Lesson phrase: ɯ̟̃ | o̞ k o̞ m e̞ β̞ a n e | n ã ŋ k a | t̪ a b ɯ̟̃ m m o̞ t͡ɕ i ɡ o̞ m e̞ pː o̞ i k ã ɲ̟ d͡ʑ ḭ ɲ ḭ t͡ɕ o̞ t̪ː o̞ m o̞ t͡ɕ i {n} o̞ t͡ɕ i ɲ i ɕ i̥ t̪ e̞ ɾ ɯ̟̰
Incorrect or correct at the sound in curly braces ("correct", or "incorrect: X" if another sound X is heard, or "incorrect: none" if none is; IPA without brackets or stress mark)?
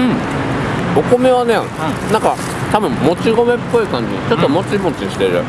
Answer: incorrect: m